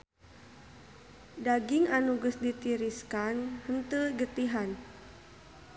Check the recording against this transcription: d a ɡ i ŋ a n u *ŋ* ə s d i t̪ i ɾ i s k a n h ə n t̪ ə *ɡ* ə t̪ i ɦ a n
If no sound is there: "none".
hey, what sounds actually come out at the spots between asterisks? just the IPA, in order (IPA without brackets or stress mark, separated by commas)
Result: ɡ, ɡ